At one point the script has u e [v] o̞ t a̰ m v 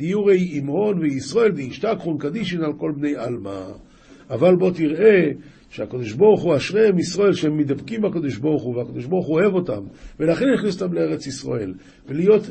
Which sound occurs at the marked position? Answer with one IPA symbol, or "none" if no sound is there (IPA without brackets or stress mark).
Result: v